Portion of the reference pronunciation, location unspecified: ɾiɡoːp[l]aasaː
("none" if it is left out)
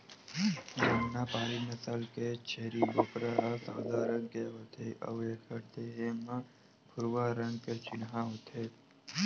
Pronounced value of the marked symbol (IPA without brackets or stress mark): ɾ